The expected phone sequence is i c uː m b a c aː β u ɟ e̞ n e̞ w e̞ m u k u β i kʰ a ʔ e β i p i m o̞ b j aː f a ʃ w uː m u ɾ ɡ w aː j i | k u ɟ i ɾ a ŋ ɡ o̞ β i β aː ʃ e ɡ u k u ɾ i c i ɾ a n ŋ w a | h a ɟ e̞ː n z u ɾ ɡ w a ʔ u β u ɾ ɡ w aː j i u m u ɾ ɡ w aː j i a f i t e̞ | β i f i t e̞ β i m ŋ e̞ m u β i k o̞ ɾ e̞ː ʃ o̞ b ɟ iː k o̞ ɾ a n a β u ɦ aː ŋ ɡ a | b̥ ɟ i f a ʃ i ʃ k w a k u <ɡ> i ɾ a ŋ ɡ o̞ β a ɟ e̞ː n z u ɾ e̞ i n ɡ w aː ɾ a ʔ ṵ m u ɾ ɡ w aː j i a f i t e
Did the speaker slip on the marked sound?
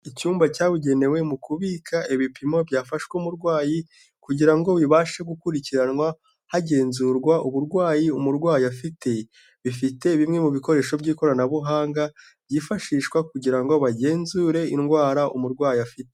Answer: yes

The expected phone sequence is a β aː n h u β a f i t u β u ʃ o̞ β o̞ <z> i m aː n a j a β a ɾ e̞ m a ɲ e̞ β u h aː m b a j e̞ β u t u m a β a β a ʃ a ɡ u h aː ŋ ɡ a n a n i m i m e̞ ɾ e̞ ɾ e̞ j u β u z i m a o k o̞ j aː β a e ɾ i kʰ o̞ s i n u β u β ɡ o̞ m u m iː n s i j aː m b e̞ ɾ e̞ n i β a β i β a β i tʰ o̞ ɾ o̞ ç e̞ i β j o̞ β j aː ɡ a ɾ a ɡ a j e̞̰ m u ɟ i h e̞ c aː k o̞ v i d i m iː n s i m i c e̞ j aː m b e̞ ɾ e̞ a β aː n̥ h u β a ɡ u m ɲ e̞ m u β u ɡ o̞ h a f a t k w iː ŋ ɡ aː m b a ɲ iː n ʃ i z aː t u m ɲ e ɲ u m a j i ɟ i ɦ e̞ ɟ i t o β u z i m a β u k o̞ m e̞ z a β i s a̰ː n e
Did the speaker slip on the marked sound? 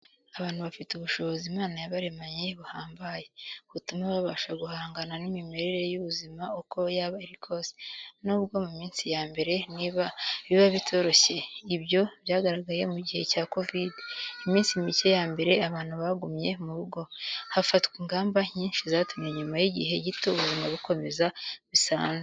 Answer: no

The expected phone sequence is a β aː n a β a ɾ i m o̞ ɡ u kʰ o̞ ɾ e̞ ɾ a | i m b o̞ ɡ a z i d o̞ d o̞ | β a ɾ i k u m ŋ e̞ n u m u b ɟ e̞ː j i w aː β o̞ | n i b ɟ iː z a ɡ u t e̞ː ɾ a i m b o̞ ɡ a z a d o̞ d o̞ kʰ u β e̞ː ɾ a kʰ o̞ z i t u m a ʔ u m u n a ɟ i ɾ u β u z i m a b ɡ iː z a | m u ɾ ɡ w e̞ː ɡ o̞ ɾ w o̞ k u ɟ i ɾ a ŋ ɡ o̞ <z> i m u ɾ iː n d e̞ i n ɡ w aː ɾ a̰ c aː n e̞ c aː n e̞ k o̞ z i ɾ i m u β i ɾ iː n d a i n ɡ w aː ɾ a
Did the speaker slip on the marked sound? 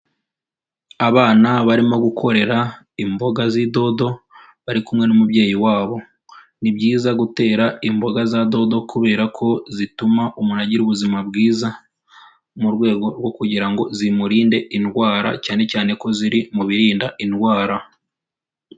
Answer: no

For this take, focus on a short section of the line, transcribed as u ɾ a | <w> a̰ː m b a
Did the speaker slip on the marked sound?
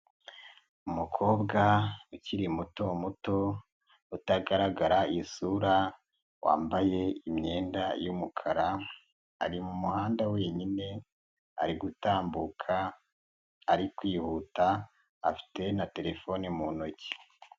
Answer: no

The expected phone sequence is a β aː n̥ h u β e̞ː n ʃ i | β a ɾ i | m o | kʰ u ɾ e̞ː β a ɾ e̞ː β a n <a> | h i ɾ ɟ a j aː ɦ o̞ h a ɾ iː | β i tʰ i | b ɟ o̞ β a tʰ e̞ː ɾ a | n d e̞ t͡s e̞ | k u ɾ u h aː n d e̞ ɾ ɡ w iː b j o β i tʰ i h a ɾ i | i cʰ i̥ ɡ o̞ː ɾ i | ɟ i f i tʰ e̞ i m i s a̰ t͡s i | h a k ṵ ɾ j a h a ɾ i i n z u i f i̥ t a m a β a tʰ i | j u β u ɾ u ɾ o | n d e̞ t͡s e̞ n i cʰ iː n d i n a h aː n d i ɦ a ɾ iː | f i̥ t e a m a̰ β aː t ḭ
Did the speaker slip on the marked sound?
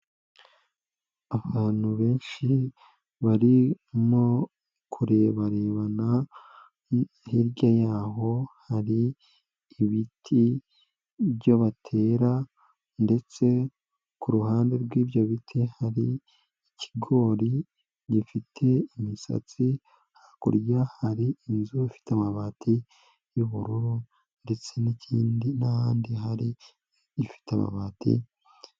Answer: no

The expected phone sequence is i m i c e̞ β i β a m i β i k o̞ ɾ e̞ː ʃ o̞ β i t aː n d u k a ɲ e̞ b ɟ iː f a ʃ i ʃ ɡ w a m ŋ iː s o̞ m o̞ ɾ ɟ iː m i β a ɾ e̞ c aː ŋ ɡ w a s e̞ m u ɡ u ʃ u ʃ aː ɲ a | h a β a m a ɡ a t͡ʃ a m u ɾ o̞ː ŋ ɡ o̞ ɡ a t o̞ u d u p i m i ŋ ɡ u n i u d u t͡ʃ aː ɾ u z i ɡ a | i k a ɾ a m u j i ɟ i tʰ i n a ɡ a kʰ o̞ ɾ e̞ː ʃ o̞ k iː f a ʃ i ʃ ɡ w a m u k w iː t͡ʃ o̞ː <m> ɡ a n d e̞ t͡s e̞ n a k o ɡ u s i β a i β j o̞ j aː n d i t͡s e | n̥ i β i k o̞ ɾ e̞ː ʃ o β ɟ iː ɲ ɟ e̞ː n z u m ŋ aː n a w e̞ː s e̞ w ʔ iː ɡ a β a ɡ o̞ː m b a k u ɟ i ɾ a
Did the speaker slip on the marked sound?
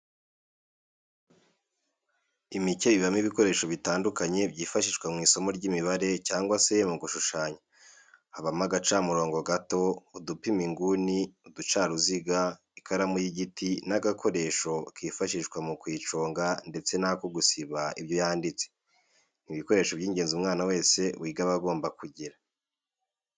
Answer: yes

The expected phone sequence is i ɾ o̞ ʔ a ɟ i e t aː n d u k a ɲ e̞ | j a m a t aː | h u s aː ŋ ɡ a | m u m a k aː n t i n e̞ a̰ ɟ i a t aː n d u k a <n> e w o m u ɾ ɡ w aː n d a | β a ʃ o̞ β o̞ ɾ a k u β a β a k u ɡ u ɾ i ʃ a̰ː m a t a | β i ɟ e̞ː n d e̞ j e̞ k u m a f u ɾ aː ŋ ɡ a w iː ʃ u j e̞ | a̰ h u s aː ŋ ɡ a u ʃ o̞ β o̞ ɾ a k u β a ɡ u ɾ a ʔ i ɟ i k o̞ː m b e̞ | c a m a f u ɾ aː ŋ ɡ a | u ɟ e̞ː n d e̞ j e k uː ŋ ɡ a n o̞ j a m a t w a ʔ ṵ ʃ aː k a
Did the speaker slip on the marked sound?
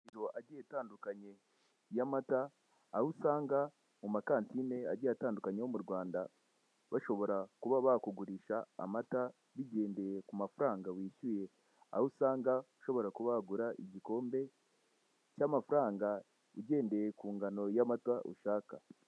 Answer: yes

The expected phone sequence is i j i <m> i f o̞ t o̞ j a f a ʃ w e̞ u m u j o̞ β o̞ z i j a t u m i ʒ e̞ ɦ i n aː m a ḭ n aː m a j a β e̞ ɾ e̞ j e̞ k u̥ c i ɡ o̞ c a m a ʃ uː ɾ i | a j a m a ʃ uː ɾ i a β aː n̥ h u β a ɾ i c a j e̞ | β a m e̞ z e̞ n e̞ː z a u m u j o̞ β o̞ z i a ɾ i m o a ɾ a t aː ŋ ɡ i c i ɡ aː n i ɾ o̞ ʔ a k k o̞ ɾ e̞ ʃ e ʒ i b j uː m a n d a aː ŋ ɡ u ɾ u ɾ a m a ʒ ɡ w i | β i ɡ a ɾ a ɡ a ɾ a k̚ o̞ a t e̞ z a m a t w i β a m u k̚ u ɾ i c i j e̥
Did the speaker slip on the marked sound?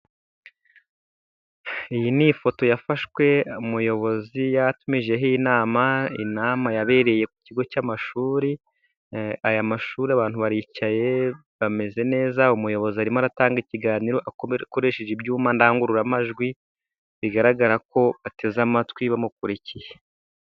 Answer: yes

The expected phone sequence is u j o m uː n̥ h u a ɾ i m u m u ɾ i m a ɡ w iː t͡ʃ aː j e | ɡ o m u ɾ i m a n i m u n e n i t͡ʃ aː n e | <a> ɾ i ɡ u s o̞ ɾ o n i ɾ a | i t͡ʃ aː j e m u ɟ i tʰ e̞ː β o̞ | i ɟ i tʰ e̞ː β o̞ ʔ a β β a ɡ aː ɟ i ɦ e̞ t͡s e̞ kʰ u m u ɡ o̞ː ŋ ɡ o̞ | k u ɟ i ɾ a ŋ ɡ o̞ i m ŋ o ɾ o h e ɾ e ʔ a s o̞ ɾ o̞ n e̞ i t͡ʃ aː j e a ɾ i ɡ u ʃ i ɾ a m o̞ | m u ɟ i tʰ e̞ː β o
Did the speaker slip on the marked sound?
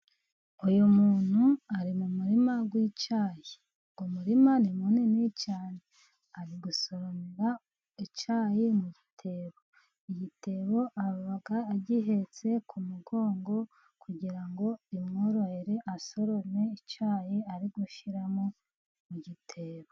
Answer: no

